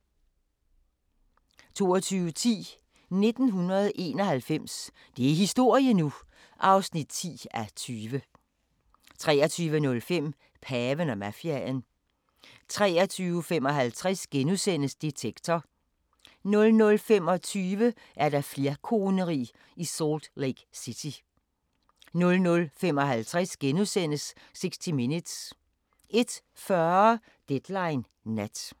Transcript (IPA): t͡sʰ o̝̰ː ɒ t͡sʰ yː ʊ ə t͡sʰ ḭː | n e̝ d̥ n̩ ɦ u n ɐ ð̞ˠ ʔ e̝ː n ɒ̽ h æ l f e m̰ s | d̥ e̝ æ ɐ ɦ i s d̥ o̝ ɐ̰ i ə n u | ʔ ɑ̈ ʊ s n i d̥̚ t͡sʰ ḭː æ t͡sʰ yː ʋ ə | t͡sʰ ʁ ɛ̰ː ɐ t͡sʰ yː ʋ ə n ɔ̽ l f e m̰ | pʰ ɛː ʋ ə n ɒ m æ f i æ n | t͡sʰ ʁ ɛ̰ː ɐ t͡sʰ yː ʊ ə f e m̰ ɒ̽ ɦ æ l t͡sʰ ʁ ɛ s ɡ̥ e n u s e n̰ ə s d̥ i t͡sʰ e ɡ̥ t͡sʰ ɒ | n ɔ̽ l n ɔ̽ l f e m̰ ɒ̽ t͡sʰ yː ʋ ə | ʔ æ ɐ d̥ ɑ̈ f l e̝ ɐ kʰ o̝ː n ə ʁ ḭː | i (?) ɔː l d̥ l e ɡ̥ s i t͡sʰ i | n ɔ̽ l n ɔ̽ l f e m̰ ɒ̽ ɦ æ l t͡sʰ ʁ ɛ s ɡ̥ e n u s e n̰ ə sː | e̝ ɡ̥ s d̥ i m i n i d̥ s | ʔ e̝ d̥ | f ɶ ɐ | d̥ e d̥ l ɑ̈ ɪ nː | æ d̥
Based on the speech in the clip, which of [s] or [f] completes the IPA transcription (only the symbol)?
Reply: s